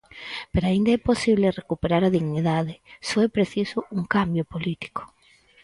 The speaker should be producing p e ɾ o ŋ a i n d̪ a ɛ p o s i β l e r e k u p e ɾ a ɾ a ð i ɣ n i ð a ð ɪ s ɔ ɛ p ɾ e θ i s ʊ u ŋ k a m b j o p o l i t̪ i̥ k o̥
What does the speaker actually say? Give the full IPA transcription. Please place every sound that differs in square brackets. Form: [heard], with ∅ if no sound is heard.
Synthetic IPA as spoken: p e ɾ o [∅] a i n d̪ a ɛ p o s i β l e r e k u p e ɾ a ɾ a ð i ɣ n i ð a ð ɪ s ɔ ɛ p ɾ e θ i s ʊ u ŋ k a m b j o p o l i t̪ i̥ k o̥